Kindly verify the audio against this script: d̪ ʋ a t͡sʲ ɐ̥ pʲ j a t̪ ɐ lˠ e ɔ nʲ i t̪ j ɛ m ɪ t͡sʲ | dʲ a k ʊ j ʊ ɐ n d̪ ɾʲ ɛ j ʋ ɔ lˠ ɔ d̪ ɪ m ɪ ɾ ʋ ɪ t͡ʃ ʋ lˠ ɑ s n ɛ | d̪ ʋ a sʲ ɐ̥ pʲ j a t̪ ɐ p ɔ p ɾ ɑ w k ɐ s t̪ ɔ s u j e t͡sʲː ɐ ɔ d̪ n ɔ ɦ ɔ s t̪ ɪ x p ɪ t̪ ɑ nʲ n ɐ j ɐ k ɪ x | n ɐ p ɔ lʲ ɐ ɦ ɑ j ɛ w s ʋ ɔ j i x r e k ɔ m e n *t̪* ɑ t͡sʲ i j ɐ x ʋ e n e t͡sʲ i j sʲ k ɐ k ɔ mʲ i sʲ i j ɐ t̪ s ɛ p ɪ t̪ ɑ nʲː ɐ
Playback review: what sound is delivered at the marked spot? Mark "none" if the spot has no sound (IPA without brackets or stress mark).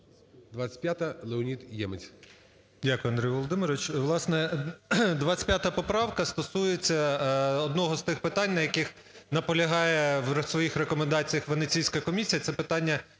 d̪